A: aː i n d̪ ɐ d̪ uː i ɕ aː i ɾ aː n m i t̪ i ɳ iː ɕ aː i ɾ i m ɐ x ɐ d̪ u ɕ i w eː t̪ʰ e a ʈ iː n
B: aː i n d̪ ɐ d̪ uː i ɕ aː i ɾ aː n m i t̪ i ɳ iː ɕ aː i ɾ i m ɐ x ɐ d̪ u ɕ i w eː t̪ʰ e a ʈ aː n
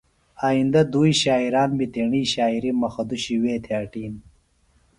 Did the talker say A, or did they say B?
A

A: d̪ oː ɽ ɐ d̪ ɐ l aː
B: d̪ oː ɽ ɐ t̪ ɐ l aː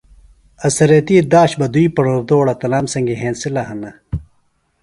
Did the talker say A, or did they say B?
B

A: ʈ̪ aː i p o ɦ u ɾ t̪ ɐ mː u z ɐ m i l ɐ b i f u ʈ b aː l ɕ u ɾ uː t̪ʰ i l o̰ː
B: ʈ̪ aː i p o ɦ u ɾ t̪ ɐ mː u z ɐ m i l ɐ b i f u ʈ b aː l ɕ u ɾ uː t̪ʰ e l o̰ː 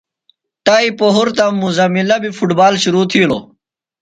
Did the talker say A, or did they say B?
A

